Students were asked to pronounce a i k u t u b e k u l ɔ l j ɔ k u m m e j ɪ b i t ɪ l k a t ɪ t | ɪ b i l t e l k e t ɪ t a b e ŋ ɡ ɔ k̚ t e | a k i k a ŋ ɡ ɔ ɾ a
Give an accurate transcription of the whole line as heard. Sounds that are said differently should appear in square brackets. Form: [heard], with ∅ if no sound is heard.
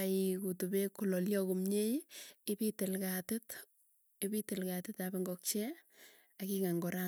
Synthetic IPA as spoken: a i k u t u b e k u l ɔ l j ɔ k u m [ɲ] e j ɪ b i t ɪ l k a t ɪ t | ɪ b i [∅] t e l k [a] t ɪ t a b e ŋ ɡ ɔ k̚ [t͡ʃ] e | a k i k a ŋ ɡ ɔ ɾ a